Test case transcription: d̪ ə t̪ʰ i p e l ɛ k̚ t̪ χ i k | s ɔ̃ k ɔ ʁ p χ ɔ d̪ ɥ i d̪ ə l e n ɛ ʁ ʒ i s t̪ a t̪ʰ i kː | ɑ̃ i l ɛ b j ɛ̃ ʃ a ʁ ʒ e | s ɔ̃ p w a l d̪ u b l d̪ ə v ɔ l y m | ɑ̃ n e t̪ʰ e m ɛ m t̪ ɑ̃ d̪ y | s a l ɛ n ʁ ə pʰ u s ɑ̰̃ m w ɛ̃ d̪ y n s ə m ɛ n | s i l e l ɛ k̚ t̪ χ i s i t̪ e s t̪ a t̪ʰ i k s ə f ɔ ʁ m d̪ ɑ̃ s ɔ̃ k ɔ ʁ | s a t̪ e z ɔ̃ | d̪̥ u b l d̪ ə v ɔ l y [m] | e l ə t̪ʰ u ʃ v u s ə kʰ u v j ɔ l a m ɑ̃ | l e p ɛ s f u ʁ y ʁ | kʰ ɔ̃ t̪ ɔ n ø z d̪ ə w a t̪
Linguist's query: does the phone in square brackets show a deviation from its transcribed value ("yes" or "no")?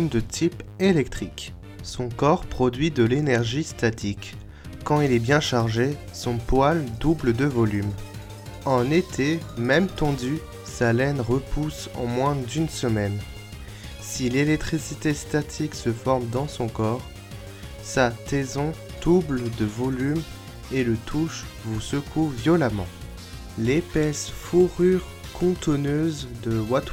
no